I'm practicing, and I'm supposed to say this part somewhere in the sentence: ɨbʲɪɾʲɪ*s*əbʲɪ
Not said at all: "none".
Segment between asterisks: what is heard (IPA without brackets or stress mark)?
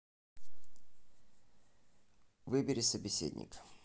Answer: s